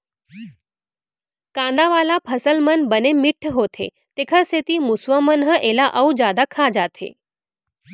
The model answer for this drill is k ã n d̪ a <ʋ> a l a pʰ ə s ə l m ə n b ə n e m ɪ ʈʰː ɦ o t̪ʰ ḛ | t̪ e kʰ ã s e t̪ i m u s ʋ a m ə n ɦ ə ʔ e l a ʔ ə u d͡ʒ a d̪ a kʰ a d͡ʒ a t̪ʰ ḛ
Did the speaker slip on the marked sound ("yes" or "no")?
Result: no